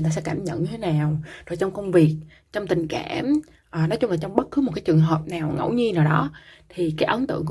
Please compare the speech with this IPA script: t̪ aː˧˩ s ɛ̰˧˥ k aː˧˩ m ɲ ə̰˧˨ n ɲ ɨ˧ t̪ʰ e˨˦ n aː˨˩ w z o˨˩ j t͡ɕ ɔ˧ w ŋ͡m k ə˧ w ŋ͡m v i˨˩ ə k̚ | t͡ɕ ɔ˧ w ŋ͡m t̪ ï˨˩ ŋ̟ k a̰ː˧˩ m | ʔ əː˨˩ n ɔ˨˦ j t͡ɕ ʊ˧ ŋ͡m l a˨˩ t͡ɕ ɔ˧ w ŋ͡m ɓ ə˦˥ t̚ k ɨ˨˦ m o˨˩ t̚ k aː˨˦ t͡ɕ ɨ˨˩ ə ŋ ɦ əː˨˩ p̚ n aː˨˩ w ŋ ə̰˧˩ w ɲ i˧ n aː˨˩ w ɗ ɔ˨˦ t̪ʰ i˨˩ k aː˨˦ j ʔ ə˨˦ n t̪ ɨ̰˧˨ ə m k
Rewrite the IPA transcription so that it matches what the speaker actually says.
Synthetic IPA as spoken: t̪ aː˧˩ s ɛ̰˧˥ k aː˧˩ m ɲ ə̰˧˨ n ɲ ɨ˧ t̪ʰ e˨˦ n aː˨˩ w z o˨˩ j t͡ɕ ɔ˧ w ŋ͡m k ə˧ w ŋ͡m v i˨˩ ə k̚ | t͡ɕ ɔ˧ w ŋ͡m t̪ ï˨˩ ŋ̟ k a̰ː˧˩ m | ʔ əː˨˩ n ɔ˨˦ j t͡ɕ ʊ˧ ŋ͡m l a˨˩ t͡ɕ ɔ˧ w ŋ͡m ɓ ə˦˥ t̚ k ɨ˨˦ m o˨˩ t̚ k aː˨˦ t͡ɕ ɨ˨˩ ə ŋ ɦ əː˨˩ p̚ n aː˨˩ w ŋ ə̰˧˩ w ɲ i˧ n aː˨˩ w ɗ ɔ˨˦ t̪ʰ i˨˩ k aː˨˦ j ʔ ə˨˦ n t̪ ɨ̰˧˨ ə ŋ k